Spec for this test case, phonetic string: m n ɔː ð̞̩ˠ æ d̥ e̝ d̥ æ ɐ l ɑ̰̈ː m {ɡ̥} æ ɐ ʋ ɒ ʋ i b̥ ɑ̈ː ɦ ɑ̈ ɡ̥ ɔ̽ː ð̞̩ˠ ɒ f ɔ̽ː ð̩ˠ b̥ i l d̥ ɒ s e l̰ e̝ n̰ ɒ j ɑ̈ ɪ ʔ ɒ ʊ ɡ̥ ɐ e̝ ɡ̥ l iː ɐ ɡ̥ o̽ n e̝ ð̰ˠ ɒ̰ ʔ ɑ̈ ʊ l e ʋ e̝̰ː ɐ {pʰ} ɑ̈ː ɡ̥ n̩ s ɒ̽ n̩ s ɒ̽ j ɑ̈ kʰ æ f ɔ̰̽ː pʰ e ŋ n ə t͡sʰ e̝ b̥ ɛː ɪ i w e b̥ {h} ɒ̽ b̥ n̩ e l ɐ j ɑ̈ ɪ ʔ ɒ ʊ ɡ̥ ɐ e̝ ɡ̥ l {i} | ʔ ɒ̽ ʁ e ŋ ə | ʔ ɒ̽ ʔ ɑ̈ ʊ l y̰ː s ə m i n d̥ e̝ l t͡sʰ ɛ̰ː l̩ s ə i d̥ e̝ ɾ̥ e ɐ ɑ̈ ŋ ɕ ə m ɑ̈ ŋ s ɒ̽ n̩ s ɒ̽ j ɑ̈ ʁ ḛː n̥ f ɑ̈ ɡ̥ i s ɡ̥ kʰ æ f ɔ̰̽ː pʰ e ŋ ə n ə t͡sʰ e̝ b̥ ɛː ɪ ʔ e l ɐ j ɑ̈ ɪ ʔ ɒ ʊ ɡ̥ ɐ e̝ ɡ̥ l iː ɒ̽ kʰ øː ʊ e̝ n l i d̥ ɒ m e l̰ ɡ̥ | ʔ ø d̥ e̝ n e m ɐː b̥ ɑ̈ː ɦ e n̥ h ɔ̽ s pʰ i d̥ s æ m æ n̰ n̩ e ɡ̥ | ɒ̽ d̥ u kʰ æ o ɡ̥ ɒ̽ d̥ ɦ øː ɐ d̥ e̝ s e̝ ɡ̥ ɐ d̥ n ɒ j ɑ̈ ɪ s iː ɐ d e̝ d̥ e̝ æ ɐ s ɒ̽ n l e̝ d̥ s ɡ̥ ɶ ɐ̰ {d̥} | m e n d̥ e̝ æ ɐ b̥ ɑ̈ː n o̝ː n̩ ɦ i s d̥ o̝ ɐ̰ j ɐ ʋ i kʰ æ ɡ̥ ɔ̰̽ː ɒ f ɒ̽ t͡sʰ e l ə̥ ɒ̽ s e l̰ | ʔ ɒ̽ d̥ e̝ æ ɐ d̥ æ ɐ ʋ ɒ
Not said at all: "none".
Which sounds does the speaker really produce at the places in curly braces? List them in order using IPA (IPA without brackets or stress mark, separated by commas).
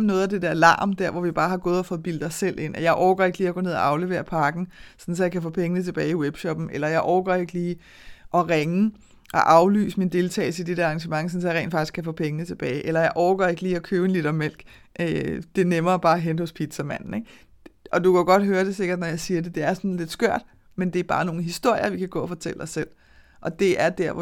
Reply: d̥, pʰ, ɕ, iː, d̥